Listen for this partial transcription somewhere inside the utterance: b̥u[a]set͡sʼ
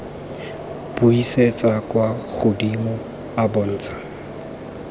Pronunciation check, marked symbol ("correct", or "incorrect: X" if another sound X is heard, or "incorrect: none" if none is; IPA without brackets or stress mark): incorrect: i